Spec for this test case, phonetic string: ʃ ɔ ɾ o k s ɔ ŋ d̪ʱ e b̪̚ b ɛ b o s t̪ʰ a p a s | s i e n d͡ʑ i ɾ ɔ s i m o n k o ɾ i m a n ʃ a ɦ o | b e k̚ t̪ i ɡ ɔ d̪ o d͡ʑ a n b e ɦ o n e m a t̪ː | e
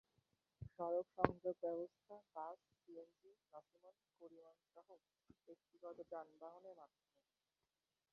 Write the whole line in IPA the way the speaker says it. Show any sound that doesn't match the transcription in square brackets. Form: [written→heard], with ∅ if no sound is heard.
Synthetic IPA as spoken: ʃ ɔ ɾ o k [s→ʃ] ɔ ŋ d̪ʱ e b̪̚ b ɛ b o s t̪ʰ a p a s | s i e n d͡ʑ i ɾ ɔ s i m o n k o ɾ i m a n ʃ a ɦ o | b e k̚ t̪ i ɡ ɔ [d̪→t̪] o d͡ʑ a n b [e→a] ɦ o n e m a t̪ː | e